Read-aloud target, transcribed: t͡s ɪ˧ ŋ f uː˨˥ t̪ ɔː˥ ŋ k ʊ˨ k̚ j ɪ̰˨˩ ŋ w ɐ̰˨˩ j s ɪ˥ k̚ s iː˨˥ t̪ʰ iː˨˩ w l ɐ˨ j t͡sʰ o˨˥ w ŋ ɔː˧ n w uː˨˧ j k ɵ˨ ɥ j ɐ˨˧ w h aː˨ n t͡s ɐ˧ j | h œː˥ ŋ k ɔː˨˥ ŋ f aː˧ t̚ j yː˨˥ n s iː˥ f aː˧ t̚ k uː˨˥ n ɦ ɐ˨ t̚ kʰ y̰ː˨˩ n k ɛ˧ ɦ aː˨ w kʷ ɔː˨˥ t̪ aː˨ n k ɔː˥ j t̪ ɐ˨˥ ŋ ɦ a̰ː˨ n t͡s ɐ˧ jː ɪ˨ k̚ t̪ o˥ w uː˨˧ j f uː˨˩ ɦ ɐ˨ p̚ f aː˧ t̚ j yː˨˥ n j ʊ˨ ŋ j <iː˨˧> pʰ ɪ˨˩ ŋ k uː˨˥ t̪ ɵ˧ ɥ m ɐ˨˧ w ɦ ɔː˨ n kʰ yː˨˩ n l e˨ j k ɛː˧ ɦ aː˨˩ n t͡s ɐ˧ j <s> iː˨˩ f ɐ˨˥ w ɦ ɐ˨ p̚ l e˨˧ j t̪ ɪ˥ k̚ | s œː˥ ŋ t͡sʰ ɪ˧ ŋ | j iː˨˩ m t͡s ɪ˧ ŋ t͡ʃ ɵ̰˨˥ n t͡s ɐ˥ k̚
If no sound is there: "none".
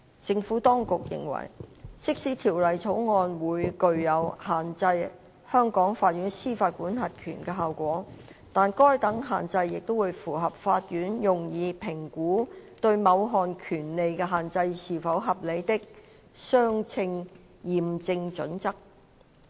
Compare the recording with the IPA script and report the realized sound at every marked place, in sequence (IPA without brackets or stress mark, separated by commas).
iː˨˧, s